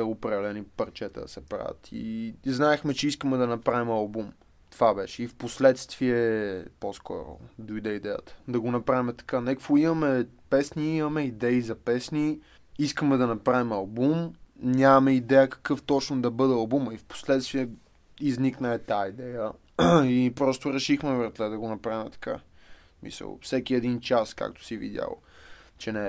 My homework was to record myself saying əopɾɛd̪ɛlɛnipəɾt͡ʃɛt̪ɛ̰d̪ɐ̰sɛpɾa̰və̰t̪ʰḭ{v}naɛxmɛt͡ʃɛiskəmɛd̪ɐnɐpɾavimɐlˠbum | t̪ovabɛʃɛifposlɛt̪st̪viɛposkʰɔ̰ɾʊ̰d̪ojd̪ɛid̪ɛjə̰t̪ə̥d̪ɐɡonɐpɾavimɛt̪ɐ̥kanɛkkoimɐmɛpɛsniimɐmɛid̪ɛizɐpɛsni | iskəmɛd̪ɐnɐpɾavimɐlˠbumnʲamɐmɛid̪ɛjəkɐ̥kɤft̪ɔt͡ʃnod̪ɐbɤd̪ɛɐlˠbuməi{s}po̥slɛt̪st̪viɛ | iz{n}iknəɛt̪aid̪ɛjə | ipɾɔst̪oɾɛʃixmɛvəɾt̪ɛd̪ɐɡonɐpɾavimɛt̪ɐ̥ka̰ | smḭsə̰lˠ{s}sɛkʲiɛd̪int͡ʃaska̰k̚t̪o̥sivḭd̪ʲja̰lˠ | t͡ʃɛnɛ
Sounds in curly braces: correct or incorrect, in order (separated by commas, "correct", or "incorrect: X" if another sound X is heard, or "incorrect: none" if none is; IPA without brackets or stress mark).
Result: incorrect: z, incorrect: f, correct, incorrect: f